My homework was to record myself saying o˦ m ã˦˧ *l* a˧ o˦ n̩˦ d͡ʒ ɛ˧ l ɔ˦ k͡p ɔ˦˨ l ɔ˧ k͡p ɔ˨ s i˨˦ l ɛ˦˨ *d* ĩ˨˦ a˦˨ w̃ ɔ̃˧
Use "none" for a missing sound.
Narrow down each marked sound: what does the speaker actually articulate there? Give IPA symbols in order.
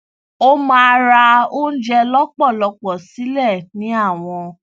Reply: ɾ, n

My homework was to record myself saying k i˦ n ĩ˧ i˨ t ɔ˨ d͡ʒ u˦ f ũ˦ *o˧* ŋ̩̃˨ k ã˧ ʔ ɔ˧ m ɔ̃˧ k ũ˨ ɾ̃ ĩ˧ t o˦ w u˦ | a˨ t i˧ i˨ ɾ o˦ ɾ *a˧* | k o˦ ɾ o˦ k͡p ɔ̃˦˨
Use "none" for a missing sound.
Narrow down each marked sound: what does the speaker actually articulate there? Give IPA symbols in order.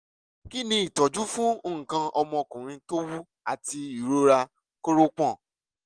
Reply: o˧, a˧

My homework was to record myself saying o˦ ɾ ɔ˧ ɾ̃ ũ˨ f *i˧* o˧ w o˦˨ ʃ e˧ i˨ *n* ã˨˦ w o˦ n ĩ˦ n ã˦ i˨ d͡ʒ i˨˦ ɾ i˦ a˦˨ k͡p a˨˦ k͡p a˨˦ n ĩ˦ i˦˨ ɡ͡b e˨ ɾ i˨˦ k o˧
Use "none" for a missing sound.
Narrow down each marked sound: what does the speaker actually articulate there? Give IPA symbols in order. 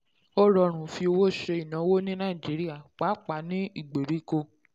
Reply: i˧, n

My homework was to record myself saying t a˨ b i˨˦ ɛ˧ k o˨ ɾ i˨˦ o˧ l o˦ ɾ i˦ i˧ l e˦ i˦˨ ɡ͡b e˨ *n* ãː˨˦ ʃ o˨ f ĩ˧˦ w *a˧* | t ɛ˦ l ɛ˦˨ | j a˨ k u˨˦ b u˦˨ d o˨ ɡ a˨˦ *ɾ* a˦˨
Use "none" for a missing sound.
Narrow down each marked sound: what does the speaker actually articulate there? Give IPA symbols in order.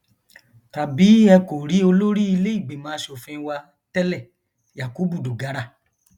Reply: m, a˧, ɾ

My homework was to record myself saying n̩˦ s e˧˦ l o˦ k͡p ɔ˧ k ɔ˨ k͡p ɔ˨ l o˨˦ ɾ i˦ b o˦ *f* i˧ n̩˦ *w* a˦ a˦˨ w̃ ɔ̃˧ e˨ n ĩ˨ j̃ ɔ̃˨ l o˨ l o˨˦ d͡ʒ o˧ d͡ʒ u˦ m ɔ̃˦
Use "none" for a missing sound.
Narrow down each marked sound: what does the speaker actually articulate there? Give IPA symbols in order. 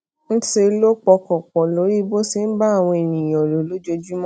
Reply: s, b

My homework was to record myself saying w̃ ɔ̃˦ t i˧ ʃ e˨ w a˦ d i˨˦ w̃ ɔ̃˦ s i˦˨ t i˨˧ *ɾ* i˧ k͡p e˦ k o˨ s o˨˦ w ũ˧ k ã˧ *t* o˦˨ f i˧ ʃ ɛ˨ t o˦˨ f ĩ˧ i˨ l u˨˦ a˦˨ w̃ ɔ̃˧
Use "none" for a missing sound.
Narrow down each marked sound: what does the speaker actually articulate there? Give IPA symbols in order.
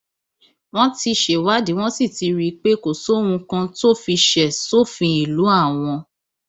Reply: ɾ, t

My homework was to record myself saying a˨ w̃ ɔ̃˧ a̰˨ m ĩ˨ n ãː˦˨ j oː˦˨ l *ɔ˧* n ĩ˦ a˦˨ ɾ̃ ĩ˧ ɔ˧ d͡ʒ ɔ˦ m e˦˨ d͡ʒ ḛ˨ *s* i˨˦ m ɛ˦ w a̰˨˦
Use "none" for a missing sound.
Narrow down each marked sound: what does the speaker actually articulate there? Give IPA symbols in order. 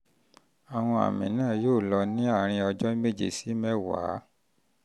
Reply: ɔ˧, s

